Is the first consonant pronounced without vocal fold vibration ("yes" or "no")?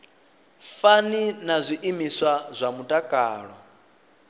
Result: yes